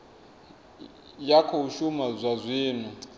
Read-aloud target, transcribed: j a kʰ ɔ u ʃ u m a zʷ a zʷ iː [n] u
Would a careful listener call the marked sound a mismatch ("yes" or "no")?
no